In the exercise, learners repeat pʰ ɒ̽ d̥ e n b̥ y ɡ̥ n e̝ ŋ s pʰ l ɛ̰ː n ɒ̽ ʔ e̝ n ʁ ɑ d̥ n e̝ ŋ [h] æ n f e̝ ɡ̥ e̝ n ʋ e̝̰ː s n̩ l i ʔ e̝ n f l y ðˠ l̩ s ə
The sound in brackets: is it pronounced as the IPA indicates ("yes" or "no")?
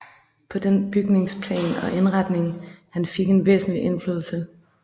yes